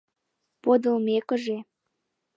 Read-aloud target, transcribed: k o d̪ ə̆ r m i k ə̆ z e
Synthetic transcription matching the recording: p o d̪ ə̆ l m e k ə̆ ʒ e